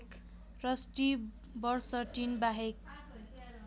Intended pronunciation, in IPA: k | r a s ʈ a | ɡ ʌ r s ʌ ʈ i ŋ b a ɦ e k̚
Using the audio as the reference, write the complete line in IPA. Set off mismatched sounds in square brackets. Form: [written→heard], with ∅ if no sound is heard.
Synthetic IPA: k | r [a→ʌ] s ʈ [a→i] | [ɡ→b] ʌ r s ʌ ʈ i [ŋ→n] b a ɦ e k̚